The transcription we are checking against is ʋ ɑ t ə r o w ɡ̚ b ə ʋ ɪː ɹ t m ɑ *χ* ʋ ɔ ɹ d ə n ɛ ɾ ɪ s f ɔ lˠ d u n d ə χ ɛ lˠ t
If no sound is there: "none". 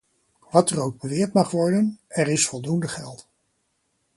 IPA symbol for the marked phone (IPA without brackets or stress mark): χ